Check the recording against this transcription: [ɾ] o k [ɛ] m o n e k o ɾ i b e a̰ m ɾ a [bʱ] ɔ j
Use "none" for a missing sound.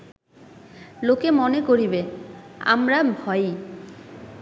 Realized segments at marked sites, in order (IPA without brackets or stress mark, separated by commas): l, e, bʱ